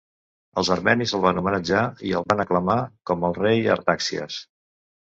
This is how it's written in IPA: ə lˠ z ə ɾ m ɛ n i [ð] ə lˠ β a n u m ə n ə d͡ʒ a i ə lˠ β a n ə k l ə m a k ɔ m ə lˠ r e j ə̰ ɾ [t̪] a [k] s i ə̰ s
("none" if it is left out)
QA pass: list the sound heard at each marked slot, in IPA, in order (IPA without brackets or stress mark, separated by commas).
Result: z, t̪, k